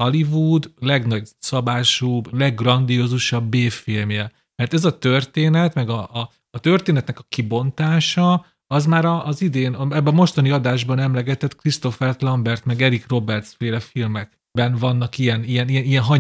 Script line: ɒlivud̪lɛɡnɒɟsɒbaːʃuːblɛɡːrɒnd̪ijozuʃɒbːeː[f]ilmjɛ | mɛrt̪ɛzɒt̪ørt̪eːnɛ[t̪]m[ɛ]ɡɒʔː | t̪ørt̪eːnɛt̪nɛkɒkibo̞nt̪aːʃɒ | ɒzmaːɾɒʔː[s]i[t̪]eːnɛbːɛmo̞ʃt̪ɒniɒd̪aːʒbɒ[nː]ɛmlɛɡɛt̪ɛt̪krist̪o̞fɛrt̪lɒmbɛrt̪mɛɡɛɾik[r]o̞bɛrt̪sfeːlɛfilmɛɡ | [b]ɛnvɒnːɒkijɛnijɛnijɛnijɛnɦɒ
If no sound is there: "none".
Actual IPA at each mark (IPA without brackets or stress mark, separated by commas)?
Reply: f, t̪, ɛ, z, d̪, n, r, b